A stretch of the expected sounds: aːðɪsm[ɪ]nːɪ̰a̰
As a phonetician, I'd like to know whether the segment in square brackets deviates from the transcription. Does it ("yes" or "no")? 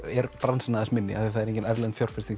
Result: no